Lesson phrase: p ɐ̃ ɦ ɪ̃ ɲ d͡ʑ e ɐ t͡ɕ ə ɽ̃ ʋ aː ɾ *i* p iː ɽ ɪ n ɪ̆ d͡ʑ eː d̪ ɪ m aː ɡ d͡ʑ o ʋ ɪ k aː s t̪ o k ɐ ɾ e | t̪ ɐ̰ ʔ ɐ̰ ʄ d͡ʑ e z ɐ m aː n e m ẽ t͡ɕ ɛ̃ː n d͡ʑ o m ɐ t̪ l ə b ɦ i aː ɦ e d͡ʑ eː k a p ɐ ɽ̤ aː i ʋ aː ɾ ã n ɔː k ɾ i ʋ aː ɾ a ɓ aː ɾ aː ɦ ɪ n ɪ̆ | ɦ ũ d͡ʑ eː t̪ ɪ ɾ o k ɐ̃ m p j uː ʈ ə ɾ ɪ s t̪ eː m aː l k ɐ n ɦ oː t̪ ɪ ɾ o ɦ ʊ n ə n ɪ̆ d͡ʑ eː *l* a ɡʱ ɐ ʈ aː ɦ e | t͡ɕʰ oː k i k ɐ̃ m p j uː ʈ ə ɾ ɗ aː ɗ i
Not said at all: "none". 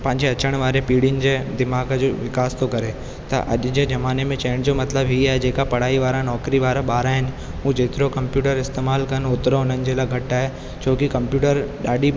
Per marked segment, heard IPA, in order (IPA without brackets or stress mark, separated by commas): e, l